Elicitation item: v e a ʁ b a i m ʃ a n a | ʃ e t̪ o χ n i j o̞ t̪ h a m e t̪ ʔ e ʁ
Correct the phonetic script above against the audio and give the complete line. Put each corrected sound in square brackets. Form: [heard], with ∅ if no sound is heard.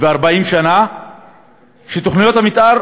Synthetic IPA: v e a ʁ b a i m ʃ a n a | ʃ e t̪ o χ n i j o̞ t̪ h a m [i] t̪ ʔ [a] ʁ